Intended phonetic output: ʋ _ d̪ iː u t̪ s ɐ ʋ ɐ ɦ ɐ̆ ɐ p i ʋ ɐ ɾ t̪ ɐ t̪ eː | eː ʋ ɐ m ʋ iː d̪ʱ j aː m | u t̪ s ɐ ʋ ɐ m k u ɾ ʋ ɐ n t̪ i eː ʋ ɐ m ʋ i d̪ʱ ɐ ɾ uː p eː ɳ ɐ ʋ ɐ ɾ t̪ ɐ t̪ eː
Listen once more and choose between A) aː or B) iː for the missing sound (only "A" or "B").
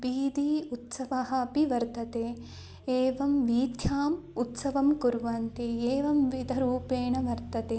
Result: B